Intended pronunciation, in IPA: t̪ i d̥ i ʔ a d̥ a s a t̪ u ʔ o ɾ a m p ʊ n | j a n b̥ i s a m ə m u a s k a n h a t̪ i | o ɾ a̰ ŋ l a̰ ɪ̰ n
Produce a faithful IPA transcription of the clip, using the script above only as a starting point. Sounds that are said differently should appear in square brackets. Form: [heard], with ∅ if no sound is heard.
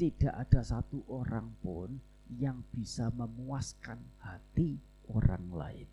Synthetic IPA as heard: t̪ i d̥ [a] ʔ a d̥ a s a t̪ u ʔ o ɾ a [ŋ] p ʊ n | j a [ŋ] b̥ i s a m ə m u a s k a n h a t̪ i | o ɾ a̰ ŋ l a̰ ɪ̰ n